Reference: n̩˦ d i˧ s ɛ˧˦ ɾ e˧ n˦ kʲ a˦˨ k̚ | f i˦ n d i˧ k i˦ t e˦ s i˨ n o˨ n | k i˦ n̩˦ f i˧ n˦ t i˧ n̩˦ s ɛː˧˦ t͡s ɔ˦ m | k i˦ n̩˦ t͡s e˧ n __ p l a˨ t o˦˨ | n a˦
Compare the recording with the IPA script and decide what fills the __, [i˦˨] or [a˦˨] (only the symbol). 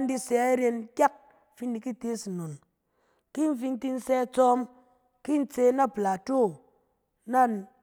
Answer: a˦˨